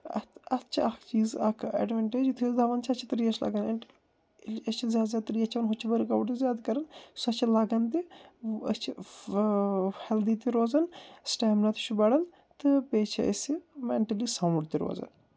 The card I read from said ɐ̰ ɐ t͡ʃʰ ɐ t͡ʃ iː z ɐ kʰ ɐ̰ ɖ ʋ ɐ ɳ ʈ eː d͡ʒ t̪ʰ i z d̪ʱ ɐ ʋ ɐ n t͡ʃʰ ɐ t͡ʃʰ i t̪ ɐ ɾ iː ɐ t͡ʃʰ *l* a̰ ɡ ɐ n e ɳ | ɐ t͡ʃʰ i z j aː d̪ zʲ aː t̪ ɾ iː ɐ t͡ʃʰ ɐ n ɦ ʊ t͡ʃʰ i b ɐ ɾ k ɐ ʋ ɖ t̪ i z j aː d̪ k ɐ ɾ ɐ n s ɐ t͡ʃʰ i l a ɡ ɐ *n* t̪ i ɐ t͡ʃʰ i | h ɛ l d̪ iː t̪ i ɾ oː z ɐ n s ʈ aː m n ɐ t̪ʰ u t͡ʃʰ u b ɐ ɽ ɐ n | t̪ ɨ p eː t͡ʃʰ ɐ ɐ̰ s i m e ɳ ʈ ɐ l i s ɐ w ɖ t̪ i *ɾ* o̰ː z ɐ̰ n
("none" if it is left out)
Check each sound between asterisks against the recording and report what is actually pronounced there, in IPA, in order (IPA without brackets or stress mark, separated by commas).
l, n, ɾ